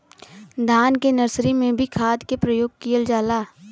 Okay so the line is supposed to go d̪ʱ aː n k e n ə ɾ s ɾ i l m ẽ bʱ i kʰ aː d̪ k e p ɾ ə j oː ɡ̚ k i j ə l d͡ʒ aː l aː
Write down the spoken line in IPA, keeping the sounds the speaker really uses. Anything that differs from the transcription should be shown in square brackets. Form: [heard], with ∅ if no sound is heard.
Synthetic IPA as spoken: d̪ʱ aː n k e n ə ɾ s ɾ i [∅] m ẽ bʱ i kʰ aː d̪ k e p ɾ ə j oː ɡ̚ k i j ə l d͡ʒ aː l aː